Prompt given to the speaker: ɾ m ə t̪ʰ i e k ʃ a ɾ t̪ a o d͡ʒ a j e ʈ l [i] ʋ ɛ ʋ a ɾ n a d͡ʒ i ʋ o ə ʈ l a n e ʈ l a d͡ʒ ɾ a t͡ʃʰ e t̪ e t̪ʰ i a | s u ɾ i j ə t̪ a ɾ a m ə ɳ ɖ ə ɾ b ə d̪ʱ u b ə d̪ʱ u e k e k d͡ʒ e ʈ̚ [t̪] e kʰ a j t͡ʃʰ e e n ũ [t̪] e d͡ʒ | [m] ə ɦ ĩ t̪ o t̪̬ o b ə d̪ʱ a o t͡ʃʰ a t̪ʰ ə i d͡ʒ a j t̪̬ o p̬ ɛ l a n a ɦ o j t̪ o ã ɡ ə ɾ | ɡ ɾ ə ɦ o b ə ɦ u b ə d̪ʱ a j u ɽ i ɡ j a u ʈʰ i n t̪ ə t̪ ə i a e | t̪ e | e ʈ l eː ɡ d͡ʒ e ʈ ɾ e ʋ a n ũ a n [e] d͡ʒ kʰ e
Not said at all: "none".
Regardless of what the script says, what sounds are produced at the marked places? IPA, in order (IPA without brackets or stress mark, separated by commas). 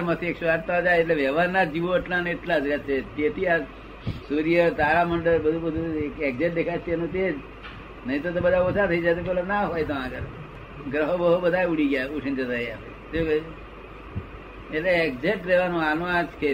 e, d̪, t̪, n, a